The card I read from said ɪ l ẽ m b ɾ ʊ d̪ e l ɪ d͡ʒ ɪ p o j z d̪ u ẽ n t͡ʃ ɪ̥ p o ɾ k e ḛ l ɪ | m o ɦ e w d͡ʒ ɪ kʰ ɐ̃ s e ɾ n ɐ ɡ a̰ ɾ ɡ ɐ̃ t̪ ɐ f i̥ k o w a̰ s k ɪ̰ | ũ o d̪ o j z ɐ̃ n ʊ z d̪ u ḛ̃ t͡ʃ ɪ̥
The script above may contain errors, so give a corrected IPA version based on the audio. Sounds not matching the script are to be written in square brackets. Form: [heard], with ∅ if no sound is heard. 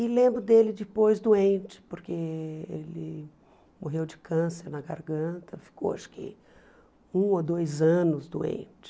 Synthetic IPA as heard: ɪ l ẽ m b ɾ ʊ d̪ e l ɪ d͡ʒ ɪ p o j z d̪ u ẽ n t͡ʃ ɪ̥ p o ɾ k e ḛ l ɪ | m o ɦ e w d͡ʒ ɪ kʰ ɐ̃ s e ɾ n ɐ ɡ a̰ ɾ ɡ ɐ̃ t̪ ɐ f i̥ k o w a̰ [ʃ] k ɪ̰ | ũ o d̪ o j z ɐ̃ n ʊ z d̪ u ḛ̃ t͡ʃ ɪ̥